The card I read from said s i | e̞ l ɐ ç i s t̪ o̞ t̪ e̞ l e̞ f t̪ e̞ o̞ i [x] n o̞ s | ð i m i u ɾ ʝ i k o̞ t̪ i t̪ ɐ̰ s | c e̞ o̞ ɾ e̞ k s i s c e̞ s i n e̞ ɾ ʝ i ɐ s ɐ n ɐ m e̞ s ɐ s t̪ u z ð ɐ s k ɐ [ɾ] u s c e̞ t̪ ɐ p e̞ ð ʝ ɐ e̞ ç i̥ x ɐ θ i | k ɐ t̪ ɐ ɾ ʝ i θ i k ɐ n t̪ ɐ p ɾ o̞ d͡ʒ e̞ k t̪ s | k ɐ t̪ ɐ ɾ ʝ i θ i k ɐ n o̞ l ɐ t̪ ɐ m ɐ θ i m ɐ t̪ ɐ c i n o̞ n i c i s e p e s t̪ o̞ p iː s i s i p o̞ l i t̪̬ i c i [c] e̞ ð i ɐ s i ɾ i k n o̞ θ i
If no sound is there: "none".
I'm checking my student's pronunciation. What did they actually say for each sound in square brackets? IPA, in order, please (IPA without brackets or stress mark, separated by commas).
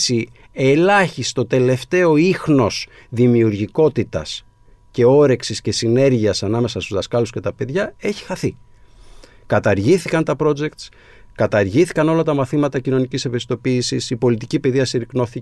x, l, p